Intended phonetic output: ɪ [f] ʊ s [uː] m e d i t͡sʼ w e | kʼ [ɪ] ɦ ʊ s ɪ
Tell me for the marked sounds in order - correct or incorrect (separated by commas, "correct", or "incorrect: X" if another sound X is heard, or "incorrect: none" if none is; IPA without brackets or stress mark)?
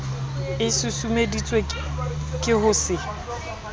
incorrect: s, incorrect: u, correct